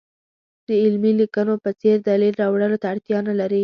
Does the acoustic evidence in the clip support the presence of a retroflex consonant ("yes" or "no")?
yes